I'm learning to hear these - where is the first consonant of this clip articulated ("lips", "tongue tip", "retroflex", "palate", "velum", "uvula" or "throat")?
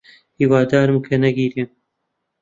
throat